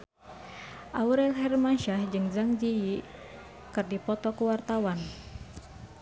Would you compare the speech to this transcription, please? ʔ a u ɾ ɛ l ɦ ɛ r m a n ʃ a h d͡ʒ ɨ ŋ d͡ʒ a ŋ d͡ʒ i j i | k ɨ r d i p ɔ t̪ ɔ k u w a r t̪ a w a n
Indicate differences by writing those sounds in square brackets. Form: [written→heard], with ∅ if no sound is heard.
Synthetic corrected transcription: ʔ a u ɾ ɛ l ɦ ɛ r m a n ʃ a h d͡ʒ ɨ ŋ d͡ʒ a ŋ d͡ʒ i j i | k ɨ r d i p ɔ t̪ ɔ k u w a r t̪ a w a n